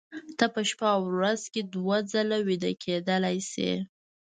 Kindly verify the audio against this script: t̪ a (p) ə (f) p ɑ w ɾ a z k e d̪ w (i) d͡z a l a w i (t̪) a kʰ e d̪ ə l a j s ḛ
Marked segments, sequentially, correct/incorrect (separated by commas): correct, incorrect, incorrect, incorrect